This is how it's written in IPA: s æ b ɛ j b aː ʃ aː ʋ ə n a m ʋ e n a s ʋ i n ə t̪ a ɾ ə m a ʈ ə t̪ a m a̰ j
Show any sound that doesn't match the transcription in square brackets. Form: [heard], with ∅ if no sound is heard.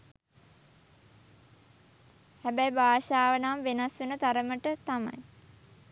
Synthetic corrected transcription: [h] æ b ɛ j b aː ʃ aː ʋ ə n a m ʋ e n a s ʋ [e] n ə t̪ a ɾ ə m [ə] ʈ ə t̪ a m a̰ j